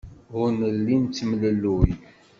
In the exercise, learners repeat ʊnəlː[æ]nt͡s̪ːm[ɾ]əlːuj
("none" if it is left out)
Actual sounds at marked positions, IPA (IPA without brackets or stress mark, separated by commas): i, l